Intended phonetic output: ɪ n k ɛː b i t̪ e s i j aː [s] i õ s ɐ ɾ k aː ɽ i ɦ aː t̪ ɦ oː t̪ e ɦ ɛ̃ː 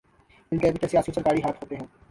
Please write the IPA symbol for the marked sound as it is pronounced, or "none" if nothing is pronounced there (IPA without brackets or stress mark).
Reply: s